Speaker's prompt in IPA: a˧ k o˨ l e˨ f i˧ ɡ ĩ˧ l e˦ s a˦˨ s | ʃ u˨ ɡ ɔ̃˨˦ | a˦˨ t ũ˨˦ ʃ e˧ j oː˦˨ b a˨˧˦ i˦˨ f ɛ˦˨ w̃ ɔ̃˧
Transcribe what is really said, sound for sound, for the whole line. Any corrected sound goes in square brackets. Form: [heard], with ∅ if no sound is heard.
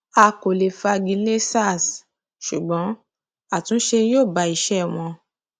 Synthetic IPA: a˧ k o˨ l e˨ f [a˧] ɡ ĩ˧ l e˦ s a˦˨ s | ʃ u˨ [ɡ͡b] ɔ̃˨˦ | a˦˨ t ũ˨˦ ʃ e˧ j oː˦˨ b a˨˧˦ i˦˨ [ʃ] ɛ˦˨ w̃ ɔ̃˧